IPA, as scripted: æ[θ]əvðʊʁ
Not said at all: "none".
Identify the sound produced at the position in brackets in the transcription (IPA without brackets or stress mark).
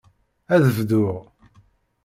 ð